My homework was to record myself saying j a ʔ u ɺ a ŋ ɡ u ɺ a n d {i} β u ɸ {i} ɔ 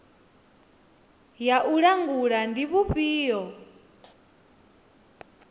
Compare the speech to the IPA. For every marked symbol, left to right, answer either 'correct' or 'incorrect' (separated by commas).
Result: correct, incorrect